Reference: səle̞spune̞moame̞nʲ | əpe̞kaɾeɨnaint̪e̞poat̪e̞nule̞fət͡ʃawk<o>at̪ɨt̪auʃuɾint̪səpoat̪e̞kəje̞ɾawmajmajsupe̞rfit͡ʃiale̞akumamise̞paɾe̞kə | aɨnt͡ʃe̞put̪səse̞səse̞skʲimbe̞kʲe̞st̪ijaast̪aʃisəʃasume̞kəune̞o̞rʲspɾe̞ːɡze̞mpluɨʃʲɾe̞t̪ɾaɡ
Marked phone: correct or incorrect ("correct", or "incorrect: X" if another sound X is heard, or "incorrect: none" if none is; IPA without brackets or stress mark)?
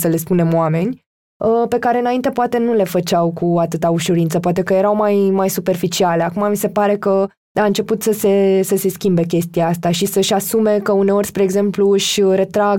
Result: incorrect: u